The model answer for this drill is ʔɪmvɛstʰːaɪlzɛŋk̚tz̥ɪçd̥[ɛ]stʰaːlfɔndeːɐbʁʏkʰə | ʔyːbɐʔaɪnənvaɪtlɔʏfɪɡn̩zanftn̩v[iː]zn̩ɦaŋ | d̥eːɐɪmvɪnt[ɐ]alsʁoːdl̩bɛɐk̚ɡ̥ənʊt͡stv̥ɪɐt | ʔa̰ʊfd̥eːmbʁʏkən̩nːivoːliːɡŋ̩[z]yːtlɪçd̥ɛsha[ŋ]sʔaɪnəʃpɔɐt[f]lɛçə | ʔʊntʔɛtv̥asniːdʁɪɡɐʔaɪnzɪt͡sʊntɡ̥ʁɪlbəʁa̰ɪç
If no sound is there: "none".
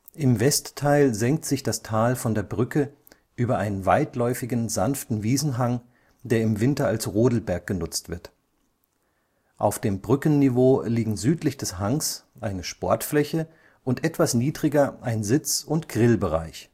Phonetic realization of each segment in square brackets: a, iː, ɐ, z, ŋ, f

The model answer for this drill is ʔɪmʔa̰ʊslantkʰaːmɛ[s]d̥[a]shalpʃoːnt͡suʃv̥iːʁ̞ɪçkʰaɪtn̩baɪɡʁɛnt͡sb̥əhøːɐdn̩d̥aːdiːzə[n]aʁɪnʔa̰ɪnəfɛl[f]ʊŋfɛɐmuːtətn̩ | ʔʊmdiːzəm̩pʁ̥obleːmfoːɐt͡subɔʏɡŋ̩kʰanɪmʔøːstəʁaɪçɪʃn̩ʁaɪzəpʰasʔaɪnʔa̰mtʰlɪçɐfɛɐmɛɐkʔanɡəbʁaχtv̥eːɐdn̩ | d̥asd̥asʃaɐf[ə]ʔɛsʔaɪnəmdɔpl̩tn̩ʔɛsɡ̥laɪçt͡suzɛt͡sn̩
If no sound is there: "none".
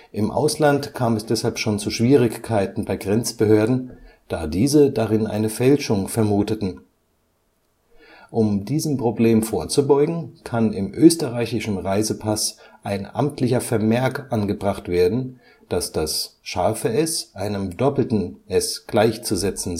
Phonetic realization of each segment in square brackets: s, ɛ, d, ʃ, ə

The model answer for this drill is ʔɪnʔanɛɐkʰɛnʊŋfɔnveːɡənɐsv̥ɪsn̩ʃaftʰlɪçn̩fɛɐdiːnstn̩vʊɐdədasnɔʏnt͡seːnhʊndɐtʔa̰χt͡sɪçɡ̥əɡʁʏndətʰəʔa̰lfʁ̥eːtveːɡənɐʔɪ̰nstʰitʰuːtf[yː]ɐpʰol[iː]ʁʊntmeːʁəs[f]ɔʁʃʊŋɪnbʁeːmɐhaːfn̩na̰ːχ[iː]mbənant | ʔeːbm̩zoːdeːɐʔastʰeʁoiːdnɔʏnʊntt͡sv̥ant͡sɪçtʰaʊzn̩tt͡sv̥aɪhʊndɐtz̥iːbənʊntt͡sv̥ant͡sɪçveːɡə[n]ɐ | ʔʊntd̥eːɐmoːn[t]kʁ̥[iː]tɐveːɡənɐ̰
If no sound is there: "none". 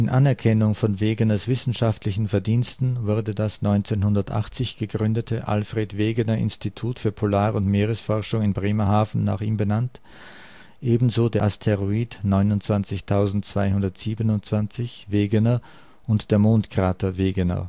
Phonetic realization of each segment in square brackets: yː, aː, f, iː, n, t, aː

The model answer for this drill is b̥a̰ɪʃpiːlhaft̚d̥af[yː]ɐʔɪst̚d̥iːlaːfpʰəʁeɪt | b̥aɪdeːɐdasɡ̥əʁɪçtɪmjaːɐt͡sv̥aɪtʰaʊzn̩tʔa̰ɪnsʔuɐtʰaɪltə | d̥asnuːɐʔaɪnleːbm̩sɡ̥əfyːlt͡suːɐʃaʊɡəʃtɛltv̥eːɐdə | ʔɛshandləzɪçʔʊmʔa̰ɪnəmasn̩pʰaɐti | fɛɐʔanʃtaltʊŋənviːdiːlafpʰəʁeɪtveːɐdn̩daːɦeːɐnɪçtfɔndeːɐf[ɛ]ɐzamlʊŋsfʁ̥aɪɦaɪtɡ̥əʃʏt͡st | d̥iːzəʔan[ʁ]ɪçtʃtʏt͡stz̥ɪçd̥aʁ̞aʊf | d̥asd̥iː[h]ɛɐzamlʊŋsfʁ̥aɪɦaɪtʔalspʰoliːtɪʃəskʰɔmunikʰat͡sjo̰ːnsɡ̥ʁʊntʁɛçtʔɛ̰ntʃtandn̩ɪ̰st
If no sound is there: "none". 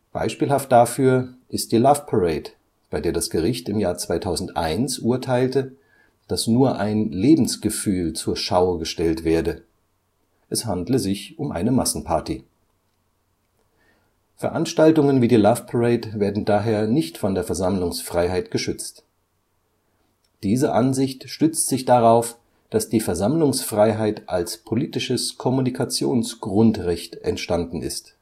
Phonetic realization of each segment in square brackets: yː, ɛ, z, f

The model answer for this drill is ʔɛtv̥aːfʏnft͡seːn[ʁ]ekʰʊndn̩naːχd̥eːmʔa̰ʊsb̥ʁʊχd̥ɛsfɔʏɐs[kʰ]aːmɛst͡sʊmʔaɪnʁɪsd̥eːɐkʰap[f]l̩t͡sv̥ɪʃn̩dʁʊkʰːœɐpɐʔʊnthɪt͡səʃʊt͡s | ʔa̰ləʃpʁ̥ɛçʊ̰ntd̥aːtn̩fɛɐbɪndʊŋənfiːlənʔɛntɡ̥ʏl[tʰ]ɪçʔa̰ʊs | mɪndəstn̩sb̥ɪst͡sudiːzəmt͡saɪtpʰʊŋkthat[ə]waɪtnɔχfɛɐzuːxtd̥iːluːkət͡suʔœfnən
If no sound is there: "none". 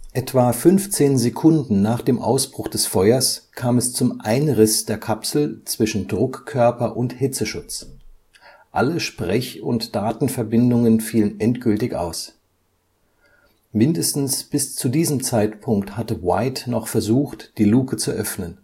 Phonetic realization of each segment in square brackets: z, kʰ, s, t, ə

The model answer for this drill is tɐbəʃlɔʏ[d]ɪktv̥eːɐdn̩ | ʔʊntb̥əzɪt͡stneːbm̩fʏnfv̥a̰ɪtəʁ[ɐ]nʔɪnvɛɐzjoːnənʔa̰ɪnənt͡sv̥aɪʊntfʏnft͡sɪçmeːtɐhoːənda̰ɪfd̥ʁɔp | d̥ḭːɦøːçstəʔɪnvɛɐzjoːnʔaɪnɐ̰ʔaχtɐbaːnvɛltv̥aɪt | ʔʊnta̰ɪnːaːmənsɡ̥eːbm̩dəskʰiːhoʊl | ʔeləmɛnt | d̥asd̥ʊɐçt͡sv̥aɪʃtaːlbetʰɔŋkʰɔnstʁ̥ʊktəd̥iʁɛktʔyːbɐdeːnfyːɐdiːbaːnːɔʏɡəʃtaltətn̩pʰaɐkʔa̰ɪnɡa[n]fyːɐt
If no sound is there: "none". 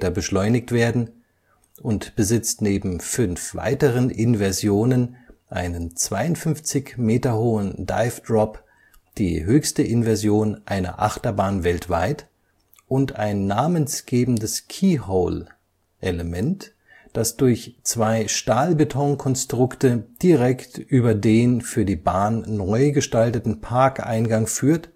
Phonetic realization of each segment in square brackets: n, ə, ŋ

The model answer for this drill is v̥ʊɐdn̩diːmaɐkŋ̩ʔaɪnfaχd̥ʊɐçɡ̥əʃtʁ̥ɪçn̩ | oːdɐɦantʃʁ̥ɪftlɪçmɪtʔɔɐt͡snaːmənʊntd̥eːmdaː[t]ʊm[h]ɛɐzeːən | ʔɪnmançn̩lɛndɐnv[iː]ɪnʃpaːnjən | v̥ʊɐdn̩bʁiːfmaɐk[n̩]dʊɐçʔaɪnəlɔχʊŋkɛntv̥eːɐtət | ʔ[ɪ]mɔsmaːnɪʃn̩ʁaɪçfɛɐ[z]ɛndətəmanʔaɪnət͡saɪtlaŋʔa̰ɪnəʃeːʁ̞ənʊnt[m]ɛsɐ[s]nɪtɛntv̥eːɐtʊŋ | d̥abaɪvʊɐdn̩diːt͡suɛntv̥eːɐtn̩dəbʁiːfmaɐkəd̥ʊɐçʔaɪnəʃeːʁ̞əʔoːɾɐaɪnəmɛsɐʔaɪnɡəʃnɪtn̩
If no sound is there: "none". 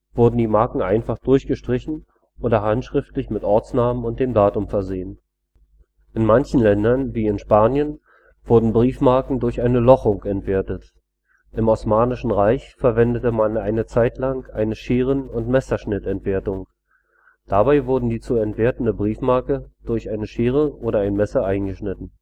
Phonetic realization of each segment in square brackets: t, f, iː, ŋ̩, ɪ, v, m, ʃ

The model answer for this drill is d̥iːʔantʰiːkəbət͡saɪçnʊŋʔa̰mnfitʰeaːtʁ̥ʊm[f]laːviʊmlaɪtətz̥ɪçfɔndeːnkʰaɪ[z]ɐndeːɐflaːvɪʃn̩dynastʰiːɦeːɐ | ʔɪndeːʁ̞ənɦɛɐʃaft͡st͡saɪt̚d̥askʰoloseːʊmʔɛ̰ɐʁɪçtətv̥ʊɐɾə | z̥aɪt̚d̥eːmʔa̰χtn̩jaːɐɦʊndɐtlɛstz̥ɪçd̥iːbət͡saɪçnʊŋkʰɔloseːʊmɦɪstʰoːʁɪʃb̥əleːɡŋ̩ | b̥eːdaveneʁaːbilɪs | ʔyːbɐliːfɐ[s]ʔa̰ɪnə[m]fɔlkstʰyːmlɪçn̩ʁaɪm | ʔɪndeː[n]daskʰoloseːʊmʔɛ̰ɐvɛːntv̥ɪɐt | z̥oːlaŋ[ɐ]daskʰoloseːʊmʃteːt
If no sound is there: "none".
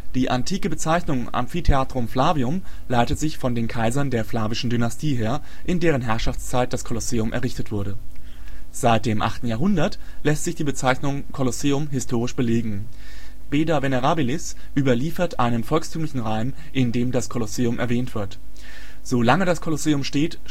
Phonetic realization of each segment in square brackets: f, z, t, n, m, ə

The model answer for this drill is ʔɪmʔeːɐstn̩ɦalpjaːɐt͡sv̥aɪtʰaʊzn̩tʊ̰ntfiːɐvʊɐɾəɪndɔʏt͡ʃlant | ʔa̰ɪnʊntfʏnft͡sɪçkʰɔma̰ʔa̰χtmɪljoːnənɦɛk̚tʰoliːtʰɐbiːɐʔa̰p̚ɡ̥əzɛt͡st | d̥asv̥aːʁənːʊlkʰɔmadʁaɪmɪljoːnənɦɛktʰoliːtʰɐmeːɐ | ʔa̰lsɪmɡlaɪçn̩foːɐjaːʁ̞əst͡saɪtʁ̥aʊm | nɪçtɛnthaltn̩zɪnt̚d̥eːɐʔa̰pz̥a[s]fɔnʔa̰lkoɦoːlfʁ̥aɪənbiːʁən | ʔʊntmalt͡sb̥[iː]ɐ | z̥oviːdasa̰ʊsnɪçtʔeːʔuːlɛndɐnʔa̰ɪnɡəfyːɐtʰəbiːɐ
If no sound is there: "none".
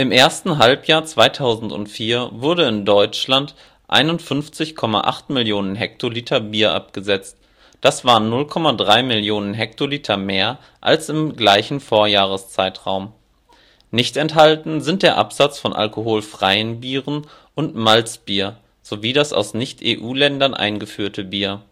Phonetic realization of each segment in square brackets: t͡s, iː

